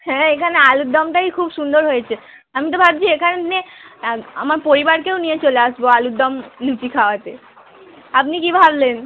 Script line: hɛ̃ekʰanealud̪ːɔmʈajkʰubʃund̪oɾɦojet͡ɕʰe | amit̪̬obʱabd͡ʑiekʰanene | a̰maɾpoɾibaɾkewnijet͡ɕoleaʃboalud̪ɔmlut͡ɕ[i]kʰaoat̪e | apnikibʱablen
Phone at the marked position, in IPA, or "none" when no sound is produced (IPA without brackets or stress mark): i